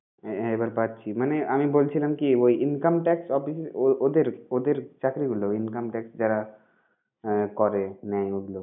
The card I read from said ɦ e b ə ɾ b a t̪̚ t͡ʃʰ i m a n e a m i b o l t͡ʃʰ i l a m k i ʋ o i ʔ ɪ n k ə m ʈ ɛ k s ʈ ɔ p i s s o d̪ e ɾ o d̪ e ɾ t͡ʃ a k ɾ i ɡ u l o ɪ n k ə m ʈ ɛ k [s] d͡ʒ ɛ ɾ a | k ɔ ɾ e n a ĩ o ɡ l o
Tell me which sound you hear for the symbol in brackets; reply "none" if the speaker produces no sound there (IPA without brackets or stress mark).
s